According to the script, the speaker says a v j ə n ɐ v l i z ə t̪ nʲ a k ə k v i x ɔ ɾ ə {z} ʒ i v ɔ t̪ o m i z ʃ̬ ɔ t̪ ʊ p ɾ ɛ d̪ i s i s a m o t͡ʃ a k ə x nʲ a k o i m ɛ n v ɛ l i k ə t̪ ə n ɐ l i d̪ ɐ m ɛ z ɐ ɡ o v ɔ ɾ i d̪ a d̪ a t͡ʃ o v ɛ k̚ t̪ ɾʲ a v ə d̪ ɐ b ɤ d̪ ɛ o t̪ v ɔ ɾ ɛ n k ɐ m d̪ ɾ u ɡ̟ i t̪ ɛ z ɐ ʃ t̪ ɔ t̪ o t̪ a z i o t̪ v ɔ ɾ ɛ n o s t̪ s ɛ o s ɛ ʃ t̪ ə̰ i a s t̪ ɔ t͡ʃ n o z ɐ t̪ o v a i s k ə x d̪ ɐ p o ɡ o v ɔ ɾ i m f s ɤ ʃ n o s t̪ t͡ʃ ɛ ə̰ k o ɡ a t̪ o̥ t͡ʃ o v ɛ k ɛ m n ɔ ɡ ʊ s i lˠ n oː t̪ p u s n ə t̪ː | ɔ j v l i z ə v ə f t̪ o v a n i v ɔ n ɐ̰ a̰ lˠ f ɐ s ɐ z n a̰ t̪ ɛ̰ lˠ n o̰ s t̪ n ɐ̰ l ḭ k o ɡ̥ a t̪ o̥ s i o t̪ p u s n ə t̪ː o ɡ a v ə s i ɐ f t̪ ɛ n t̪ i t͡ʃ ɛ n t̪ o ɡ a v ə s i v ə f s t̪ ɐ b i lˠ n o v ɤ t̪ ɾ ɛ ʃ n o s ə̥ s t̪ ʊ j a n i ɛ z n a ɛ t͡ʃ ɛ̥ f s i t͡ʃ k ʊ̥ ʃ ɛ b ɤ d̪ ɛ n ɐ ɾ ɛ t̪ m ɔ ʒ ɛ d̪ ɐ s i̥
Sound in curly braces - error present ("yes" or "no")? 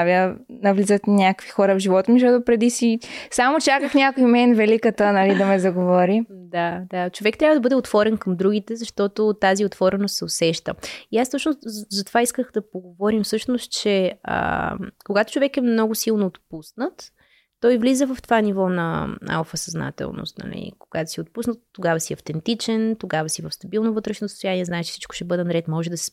yes